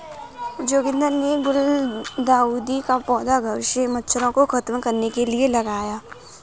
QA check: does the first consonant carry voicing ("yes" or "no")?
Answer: yes